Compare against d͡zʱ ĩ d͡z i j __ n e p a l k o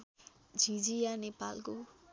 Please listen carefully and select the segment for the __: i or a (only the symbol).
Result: a